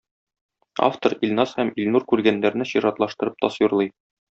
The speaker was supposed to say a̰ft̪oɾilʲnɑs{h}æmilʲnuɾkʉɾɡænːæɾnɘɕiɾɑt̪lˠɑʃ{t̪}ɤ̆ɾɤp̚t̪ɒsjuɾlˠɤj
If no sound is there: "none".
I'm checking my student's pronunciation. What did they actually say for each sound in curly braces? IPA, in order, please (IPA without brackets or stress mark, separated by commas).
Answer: h, t̪